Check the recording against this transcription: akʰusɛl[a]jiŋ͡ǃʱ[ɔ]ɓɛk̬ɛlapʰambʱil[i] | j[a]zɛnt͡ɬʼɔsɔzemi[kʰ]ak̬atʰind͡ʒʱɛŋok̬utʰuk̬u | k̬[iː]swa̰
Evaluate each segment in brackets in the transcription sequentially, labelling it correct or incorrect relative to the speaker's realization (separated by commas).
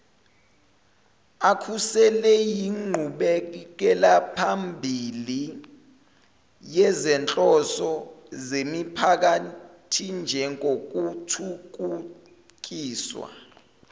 incorrect, incorrect, correct, incorrect, incorrect, correct